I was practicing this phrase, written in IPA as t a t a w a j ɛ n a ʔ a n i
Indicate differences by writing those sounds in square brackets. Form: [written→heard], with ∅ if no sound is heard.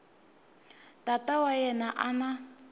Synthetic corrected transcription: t a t a w a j ɛ n a ʔ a n [i→a]